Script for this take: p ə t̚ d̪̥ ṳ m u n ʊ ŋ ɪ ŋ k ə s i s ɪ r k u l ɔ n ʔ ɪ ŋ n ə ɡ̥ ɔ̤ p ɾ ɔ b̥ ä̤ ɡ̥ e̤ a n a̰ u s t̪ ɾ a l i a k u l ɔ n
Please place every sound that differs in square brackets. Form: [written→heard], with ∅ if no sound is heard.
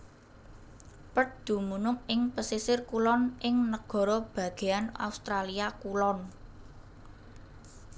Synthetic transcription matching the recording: p ə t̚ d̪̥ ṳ m u n ʊ ŋ ɪ ŋ [k→p] ə s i s ɪ r k u l ɔ n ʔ ɪ ŋ n ə ɡ̥ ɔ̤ [p→∅] ɾ ɔ b̥ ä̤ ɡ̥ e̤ a n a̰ u s t̪ ɾ a l i a k u l ɔ n